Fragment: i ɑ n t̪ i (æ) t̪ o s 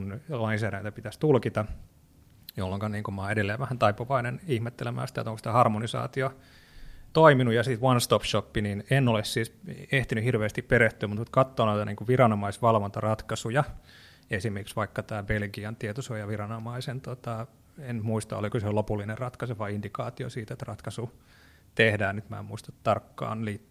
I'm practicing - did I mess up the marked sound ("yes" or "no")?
yes